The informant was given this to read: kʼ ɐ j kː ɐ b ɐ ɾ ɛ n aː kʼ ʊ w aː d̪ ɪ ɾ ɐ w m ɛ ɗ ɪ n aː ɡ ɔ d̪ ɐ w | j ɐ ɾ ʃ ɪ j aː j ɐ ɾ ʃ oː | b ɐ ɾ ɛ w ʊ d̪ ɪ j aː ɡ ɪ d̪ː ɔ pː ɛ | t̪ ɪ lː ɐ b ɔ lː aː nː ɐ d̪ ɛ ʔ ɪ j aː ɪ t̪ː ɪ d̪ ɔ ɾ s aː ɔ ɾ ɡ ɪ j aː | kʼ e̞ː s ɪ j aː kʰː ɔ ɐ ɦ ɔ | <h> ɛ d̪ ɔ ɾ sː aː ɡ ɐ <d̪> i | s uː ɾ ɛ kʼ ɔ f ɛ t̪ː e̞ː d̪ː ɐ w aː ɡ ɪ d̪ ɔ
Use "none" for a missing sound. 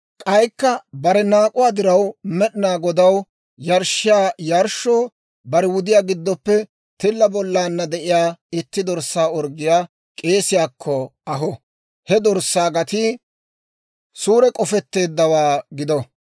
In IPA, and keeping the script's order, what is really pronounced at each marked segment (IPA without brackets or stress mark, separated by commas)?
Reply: h, t̪